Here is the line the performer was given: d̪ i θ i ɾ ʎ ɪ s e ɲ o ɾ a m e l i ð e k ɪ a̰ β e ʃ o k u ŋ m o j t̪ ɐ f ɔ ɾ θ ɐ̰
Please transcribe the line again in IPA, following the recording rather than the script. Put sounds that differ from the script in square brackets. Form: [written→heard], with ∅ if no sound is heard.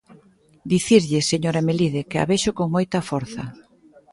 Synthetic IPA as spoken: d̪ i θ i ɾ ʎ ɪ s e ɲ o ɾ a m e l i ð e k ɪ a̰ β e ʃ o k [u→o] ŋ m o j t̪ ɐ f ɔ ɾ θ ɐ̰